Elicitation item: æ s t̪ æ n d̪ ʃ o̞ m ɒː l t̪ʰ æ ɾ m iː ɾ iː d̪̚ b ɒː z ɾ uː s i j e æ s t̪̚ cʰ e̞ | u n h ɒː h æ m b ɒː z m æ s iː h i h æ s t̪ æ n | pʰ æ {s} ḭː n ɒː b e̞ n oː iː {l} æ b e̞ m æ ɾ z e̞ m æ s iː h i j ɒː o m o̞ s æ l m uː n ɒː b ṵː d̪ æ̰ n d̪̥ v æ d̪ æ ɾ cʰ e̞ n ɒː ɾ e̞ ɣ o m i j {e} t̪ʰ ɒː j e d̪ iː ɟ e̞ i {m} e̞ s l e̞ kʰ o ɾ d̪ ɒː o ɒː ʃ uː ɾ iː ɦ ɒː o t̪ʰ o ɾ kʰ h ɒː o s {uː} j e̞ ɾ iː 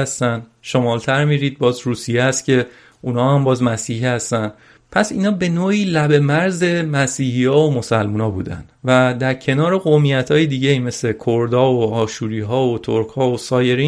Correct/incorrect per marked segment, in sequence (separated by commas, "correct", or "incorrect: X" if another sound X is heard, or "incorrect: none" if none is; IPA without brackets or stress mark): correct, correct, incorrect: æ, correct, incorrect: ɒː